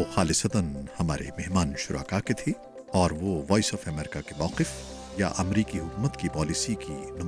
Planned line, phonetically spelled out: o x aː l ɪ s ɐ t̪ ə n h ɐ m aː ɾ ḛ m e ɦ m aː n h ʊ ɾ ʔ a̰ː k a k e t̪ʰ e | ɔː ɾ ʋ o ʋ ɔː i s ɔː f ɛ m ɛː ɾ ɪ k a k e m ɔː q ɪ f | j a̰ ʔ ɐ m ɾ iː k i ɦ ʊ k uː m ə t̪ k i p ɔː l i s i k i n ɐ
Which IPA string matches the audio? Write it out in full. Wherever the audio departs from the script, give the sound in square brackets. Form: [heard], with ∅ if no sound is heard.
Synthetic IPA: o x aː l ɪ s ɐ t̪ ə n h ɐ m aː ɾ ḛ m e ɦ m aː n [ʃ] ʊ ɾ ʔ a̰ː k a k e t̪ʰ e | ɔː ɾ ʋ o ʋ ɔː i s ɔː f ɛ m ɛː ɾ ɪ k a k e m ɔː q ɪ f | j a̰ ʔ ɐ m ɾ iː k i ɦ ʊ k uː m ə t̪ k i p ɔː l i s i k i n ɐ